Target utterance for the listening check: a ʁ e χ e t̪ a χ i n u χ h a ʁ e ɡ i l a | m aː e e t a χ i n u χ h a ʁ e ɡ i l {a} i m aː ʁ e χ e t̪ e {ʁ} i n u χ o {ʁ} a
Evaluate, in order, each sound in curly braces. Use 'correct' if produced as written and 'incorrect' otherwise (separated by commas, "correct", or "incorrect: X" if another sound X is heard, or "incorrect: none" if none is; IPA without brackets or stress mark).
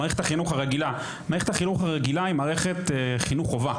correct, incorrect: χ, incorrect: v